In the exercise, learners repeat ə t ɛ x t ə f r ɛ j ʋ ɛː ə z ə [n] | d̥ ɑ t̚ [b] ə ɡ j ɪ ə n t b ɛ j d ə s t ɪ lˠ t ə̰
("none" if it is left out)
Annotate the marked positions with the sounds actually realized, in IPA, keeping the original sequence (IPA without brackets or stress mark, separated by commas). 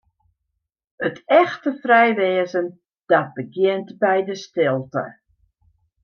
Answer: n, b